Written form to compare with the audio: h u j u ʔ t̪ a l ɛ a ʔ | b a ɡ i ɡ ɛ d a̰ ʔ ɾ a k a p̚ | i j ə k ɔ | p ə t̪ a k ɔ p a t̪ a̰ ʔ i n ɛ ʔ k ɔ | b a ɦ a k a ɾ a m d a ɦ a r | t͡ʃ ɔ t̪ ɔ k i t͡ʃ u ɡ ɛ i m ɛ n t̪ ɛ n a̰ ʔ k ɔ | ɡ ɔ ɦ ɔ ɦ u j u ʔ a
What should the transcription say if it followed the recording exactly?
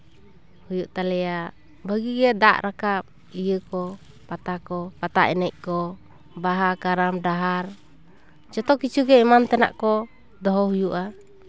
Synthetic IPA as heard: h u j u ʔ t̪ a l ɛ a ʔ | b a ɡ i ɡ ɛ d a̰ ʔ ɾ a k a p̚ | i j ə k ɔ | p a t̪ a k ɔ p a t̪ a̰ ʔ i n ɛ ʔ k ɔ | b a ɦ a k a ɾ a m d a ɦ a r | t͡ʃ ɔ t̪ ɔ k i t͡ʃ u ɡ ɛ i m a n t̪ ɛ n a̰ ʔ k ɔ | d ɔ ɦ ɔ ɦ u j u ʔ a

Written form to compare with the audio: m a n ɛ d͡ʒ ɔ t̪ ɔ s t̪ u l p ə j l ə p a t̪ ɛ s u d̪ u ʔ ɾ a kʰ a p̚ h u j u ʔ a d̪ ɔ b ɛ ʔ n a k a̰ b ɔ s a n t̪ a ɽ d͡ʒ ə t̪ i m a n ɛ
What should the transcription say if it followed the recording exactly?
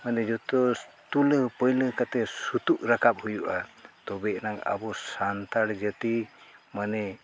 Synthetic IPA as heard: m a n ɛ d͡ʒ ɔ t̪ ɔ s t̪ u l p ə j l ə k a t̪ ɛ s u t̪ u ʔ ɾ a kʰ a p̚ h u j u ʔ a t̪ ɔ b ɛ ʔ n a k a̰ b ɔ s a n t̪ a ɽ d͡ʒ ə t̪ i m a n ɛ

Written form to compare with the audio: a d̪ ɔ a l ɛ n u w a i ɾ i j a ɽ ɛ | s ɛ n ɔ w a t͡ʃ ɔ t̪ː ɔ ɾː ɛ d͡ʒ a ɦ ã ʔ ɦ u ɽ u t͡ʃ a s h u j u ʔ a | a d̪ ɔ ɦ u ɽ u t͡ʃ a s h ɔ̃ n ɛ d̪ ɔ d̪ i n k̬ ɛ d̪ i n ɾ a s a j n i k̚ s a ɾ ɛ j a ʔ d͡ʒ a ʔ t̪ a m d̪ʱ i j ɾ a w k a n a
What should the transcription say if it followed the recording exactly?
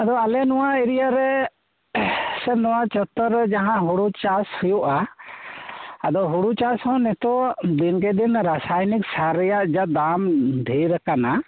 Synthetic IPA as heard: a d̪ ɔ a l ɛ n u w a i ɾ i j a ɾ ɛ | s ɛ n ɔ w a t͡ʃ ɔ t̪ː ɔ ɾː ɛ d͡ʒ a ɦ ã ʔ ɦ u ɽ u t͡ʃ a s h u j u ʔ a | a d̪ ɔ ɦ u ɽ u t͡ʃ a s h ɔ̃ n ɛ t̪ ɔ d̪ i n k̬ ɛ d̪ i n ɾ a s a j n i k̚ s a ɾ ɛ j a ʔ d͡ʒ a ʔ d̪ a m d̪ʱ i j ɾ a k a n a

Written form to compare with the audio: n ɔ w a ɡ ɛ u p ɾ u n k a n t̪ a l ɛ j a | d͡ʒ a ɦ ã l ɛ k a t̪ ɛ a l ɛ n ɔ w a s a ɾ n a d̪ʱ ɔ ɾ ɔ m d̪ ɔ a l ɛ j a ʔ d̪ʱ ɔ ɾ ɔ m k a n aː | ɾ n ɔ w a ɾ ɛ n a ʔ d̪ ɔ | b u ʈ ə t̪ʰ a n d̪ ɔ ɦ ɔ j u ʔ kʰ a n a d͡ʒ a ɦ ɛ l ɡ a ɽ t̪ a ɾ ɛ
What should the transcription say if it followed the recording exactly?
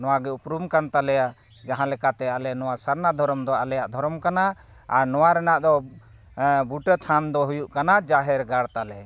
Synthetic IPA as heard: n ɔ w a ɡ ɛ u p ɾ u m k a n t̪ a l ɛ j a | d͡ʒ a ɦ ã l ɛ k a t̪ ɛ a l ɛ n ɔ w a s a ɾ n a d̪ʱ ɔ ɾ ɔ m d̪ ɔ a l ɛ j a ʔ d̪ʱ ɔ ɾ ɔ m k a n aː | ɾ n ɔ w a ɾ ɛ n a ʔ d̪ ɔ | b u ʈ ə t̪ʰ a n d̪ ɔ ɦ u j u ʔ k a n a d͡ʒ a ɦ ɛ ɾ ɡ a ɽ t̪ a l ɛ

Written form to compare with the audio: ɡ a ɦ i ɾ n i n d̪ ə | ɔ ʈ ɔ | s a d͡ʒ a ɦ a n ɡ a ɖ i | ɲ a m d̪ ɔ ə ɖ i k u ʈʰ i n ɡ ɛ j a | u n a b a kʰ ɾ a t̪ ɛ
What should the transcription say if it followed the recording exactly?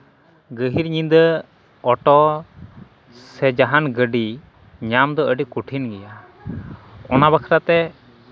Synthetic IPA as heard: ɡ ə ɦ i ɾ ɲ i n d̪ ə | ɔ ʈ ɔ | s ɛ d͡ʒ a ɦ a n ɡ ə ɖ i | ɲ a m d̪ ɔ ə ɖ i k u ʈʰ i n ɡ ɛ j a | ɔ n a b a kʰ ɾ a t̪ ɛ

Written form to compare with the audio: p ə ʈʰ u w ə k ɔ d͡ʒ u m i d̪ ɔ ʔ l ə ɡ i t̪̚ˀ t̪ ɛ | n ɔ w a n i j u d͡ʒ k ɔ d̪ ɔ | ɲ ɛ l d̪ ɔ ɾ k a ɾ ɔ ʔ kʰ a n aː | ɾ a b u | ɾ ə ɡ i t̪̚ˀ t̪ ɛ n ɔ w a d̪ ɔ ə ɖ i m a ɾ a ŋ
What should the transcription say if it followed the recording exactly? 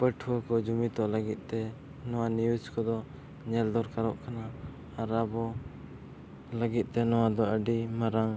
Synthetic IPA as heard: p ə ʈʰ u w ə k ɔ d͡ʒ u m i t̪ ɔ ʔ l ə ɡ i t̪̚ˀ t̪ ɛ | n ɔ w a n i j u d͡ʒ k ɔ d̪ ɔ | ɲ ɛ l d̪ ɔ ɾ k a ɾ ɔ ʔ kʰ a n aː | ɾ a b ɔ | l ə ɡ i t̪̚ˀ t̪ ɛ n ɔ w a d̪ ɔ ə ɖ i m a ɾ a ŋ

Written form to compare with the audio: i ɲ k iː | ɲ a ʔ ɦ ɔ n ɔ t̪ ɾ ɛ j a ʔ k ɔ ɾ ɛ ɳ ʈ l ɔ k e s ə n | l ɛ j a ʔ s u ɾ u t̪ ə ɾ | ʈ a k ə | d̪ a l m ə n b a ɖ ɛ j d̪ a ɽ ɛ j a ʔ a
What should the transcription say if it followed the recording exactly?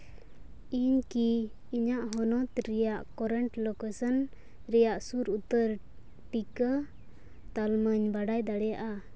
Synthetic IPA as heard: i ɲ k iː | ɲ a ʔ ɦ ɔ n ɔ t̪ ɾ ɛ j a ʔ k ɔ ɾ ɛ ɳ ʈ l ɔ k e s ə n | ɾ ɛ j a ʔ s u ɾ u t̪ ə ɾ | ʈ i k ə | t̪ a l m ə ɲ b a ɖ a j d̪ a ɽ ɛ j a ʔ a

